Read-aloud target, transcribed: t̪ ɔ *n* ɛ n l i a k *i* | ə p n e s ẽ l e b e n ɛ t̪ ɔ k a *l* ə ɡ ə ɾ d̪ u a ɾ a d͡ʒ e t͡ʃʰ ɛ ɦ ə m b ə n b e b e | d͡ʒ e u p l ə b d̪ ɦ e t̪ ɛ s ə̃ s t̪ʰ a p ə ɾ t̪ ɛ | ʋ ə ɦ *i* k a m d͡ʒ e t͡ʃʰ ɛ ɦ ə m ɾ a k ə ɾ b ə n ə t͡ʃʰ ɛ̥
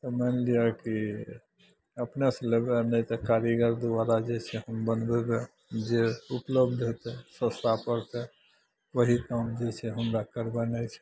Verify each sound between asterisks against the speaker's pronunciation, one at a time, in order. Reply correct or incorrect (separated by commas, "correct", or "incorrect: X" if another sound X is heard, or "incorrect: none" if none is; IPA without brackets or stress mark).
incorrect: m, correct, incorrect: ɾ, correct